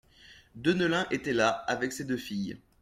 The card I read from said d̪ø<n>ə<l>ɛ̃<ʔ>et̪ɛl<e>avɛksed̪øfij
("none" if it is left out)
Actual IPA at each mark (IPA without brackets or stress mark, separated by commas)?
n, l, ʔ, a